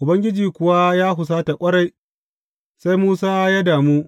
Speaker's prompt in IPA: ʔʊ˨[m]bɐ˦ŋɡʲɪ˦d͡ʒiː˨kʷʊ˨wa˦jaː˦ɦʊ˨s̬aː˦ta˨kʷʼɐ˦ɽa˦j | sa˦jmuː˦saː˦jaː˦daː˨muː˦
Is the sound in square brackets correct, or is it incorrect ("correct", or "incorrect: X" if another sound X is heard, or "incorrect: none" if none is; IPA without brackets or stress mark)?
incorrect: none